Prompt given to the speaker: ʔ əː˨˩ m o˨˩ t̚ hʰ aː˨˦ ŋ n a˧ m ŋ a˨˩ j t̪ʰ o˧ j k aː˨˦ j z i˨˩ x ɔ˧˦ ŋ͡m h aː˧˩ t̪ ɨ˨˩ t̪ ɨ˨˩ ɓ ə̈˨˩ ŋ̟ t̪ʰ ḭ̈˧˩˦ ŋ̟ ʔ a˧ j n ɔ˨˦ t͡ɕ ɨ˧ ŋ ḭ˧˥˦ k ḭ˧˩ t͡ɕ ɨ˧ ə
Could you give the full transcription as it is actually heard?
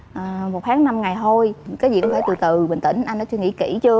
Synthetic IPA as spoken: ʔ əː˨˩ m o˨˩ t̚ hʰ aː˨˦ ŋ n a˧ m ŋ a˨˩ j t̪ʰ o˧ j k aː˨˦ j z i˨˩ k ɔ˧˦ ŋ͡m f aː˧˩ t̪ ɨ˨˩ t̪ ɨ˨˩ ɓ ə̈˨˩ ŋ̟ t̪ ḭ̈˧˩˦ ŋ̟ ʔ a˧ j n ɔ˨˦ t͡ɕ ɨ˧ ŋ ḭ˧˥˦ k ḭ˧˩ t͡ɕ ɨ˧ ə